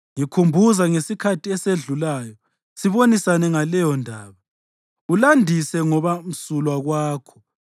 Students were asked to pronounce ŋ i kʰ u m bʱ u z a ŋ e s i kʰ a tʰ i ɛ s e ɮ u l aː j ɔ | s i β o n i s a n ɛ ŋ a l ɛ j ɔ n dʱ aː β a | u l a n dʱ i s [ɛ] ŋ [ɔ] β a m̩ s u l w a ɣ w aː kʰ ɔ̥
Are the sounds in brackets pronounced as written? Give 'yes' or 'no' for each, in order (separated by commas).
yes, yes